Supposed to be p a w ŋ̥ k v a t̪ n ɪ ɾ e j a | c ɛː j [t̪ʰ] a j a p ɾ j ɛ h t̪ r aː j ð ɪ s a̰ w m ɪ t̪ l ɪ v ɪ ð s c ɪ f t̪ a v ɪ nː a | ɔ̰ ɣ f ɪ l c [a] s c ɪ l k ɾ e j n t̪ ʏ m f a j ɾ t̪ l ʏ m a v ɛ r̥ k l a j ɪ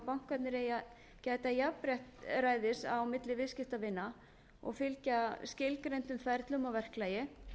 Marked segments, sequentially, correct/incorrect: incorrect, correct

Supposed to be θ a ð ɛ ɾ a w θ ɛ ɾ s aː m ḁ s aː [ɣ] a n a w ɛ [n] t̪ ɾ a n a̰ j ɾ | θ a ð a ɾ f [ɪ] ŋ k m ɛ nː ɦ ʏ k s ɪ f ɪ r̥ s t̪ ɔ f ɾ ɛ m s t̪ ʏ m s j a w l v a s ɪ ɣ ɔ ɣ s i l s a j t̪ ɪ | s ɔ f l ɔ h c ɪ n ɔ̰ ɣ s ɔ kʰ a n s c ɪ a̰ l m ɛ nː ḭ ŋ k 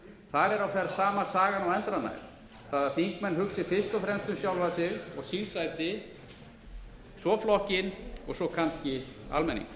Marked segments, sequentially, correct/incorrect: correct, correct, incorrect

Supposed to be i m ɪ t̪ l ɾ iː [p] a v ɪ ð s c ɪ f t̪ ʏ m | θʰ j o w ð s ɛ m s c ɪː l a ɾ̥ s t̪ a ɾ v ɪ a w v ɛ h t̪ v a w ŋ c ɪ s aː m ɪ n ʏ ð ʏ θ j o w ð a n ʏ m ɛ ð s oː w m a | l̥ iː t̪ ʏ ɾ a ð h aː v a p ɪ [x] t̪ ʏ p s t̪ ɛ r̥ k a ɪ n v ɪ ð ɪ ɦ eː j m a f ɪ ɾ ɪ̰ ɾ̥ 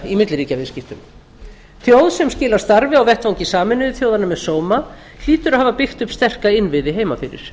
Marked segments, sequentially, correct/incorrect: incorrect, correct

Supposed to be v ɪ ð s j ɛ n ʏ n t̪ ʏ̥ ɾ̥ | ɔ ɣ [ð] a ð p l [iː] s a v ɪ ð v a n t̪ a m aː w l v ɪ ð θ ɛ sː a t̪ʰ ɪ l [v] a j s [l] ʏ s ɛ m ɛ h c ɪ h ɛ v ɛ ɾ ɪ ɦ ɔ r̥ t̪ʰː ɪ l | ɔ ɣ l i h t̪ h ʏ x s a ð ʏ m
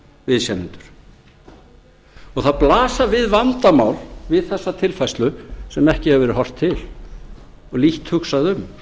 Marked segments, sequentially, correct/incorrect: incorrect, incorrect, incorrect, correct

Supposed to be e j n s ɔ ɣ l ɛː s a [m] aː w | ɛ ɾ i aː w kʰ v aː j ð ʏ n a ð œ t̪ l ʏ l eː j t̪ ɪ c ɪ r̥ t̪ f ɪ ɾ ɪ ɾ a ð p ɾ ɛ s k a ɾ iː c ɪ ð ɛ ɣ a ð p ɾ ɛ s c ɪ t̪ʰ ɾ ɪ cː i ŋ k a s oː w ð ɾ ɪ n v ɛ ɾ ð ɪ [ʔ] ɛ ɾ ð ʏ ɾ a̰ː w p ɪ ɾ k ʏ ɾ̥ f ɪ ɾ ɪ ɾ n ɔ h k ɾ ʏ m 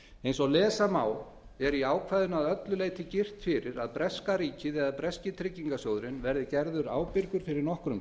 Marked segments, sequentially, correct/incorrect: correct, incorrect

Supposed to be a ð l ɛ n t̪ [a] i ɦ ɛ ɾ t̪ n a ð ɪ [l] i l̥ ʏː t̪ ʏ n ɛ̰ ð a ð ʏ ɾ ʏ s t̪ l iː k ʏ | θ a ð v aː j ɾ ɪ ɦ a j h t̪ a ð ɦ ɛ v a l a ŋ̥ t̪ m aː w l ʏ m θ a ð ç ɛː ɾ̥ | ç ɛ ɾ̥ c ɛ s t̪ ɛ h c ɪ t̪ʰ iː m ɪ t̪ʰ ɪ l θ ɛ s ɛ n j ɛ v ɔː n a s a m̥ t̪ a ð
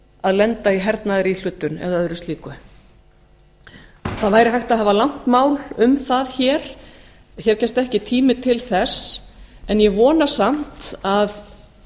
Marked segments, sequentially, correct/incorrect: correct, incorrect

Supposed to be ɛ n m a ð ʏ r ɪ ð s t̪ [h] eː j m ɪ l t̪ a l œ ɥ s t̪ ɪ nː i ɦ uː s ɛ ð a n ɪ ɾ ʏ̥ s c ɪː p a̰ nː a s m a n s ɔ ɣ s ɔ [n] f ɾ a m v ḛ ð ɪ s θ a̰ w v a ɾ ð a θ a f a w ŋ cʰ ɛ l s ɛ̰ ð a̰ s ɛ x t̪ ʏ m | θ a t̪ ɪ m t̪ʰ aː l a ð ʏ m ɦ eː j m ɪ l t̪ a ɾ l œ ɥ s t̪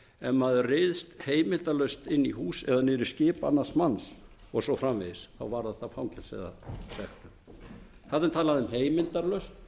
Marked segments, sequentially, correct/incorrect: correct, incorrect

